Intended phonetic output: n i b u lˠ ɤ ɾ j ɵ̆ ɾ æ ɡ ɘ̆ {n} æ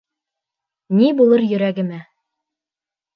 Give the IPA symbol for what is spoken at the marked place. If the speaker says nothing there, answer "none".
m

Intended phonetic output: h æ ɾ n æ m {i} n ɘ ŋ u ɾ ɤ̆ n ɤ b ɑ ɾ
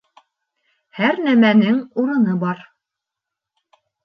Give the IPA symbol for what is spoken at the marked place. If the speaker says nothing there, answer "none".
æ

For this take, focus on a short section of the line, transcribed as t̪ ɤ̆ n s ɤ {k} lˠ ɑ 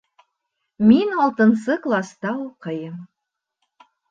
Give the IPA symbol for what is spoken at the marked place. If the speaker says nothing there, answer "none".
k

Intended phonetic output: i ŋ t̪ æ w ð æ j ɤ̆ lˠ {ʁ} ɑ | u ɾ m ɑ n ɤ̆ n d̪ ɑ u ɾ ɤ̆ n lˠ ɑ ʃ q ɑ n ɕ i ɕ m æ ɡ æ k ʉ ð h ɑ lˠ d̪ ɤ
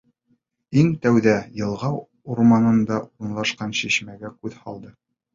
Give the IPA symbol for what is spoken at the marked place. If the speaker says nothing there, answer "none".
ʁ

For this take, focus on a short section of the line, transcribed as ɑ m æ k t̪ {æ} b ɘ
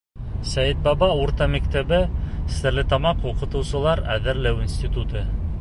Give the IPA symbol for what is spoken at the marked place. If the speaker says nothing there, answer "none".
æ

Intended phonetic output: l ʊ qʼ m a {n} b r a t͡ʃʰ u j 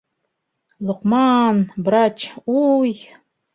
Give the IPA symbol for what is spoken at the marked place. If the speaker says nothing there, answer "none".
n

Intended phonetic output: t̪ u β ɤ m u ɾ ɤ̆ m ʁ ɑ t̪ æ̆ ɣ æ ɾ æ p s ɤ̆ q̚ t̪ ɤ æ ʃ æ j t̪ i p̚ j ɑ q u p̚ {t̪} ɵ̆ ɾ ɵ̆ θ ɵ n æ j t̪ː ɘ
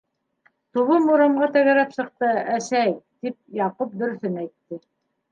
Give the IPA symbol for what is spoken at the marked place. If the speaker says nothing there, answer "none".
d̪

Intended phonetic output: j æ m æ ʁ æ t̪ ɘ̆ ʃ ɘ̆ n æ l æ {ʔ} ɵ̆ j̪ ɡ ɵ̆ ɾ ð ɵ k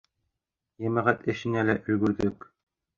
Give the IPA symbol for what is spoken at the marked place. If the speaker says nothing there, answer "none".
ʔ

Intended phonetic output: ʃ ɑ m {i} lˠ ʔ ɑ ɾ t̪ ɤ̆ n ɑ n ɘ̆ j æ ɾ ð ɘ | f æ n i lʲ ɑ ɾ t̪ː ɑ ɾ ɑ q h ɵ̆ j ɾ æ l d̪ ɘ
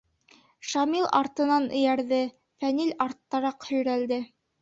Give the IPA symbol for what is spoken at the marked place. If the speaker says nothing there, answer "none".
i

